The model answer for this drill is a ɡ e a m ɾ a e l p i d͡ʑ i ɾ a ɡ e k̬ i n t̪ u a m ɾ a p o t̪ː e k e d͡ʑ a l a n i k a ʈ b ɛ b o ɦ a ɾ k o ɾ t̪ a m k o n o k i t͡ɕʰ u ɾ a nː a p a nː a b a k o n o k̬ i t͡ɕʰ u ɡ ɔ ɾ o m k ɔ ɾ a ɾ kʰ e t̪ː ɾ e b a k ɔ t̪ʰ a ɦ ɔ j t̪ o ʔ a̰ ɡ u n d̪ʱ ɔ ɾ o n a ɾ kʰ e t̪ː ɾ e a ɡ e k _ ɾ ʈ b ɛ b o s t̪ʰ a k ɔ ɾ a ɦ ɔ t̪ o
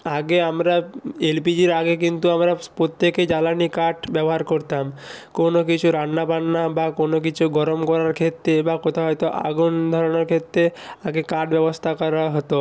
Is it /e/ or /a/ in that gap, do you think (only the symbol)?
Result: a